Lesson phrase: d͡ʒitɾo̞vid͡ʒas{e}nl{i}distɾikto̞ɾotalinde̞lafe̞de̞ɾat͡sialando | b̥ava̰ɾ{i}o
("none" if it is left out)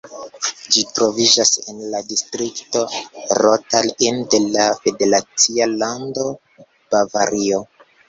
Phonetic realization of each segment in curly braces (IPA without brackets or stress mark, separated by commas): e, a, i